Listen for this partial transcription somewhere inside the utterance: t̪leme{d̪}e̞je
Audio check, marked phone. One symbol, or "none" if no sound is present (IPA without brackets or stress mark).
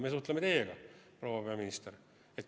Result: t̪